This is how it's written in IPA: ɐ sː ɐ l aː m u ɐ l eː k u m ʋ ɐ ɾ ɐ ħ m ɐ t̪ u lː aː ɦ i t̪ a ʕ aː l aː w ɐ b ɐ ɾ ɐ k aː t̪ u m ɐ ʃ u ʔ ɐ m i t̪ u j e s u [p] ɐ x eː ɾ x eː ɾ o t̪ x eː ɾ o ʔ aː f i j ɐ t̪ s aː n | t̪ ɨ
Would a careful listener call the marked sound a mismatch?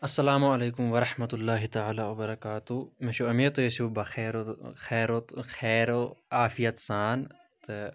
yes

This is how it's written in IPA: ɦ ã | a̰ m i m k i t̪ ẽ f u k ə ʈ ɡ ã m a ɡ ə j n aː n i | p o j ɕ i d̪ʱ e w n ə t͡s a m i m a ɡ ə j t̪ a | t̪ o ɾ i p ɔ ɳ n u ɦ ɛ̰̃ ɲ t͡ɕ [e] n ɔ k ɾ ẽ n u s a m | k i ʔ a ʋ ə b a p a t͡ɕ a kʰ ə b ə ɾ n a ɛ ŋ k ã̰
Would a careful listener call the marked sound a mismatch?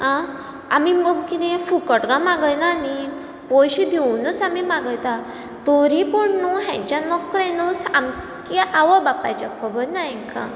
yes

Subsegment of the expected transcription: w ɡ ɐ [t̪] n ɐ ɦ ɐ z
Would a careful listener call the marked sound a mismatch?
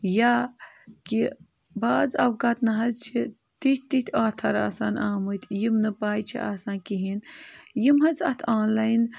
no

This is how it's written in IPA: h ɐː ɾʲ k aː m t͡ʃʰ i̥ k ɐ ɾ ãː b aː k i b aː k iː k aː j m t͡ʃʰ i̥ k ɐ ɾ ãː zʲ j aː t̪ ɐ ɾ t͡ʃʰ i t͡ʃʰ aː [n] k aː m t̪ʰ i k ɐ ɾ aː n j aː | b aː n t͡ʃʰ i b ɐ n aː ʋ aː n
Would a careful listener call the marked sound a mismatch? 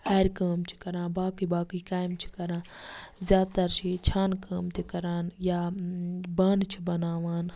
no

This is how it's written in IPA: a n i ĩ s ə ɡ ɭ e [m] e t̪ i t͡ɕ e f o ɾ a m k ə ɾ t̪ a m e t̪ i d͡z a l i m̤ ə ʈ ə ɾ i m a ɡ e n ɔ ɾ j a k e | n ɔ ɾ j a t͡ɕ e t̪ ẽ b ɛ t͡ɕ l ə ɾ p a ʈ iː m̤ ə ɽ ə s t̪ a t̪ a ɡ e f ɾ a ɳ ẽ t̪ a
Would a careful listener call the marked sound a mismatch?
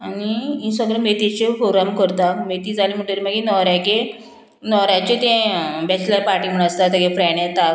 no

